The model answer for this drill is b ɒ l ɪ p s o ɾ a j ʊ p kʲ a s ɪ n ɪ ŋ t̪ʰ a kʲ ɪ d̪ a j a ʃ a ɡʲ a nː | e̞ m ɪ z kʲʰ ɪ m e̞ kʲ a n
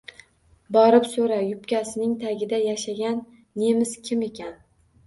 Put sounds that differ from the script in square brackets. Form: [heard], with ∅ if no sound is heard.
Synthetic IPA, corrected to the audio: b ɒ [ɾ] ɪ p s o ɾ a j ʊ p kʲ a s ɪ n ɪ ŋ t̪ʰ a [ɡʲ] ɪ d̪ a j a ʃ a ɡʲ a nː | e̞ m ɪ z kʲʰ ɪ m e̞ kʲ a n